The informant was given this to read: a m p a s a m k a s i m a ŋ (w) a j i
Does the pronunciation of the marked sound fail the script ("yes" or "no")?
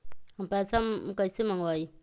no